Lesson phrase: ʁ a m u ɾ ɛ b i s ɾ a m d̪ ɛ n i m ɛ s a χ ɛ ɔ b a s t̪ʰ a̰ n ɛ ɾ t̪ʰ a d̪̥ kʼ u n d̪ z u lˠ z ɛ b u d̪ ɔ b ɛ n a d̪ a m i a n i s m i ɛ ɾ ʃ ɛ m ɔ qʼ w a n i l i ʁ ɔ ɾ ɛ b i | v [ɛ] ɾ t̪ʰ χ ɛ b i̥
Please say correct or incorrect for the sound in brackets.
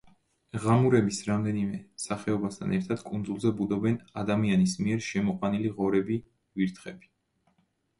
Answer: incorrect